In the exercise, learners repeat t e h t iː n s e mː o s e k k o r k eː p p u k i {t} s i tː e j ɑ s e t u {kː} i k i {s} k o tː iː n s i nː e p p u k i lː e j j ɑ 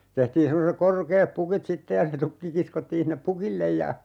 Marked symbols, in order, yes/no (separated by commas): yes, yes, yes